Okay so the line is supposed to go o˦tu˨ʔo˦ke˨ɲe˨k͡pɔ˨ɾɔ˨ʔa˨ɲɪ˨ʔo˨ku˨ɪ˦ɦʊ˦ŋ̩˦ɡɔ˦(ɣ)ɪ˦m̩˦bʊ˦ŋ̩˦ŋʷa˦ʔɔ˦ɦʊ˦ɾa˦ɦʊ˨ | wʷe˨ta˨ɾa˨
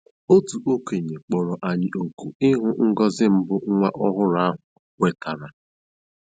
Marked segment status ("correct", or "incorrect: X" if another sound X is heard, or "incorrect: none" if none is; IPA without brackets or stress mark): incorrect: z